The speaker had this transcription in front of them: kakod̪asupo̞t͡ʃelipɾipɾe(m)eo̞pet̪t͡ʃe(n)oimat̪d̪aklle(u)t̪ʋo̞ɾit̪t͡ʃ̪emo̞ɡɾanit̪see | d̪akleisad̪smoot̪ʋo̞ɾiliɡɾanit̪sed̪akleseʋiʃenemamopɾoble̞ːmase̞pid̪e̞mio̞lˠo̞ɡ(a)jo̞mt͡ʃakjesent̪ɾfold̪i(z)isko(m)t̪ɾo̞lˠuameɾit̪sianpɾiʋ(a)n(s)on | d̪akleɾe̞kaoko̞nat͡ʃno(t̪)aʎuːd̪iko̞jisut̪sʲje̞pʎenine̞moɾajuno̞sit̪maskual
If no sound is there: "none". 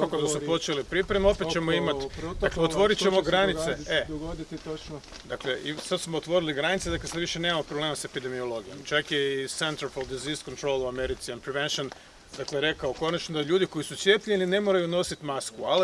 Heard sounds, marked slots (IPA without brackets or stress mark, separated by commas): m, m, o, i, z, n, e, ʃ, d̪